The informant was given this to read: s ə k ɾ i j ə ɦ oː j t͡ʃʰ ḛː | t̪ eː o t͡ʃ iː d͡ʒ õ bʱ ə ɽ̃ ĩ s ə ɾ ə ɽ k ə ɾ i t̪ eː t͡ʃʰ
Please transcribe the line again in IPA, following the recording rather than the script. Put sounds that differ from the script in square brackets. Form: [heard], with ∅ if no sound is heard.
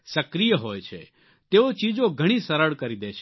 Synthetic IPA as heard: s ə k ɾ i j ə ɦ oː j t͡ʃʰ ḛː | t̪ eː o t͡ʃ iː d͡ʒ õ [ɡʱ] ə ɽ̃ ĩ s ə ɾ ə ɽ k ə ɾ i [d̪] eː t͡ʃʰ